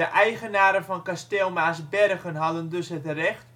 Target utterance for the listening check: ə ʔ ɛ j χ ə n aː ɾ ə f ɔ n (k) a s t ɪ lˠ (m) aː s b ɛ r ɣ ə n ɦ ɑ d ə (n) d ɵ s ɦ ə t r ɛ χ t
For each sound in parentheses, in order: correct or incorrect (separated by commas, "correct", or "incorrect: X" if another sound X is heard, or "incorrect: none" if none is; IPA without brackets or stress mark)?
correct, correct, correct